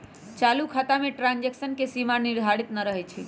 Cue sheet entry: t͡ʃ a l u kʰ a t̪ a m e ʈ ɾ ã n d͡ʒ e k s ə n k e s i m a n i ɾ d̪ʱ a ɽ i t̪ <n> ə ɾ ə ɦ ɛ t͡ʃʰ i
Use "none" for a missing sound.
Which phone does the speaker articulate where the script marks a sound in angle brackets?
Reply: n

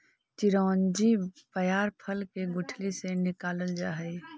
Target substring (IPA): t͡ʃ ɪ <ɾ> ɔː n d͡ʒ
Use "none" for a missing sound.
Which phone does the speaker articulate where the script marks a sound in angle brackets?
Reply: ɾ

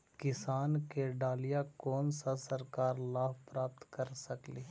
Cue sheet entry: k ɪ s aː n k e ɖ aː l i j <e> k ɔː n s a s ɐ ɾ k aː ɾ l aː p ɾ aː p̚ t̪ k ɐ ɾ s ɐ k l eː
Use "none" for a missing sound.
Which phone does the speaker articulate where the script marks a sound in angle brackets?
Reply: a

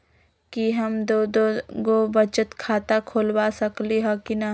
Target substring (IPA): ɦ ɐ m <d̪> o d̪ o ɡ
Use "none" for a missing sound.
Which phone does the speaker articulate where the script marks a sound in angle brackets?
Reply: d̪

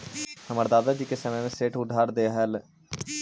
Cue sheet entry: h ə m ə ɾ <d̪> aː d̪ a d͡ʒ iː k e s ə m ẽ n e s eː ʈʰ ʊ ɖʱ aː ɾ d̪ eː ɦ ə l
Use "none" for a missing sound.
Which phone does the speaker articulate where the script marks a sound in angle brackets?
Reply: d̪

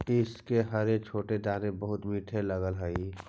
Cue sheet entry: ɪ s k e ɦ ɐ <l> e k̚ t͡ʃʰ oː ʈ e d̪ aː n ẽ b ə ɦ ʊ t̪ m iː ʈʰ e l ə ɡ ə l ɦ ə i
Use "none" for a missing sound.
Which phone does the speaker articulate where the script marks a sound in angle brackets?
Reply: ɾ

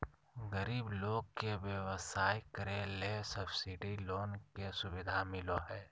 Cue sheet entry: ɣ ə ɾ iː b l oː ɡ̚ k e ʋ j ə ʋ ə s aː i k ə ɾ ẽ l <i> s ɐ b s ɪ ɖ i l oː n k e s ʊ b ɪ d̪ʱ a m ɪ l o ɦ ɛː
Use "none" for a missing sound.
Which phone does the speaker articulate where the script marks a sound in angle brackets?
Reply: e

